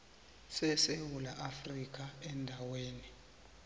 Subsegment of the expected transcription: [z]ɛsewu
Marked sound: incorrect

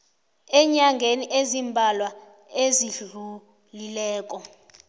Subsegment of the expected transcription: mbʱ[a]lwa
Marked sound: correct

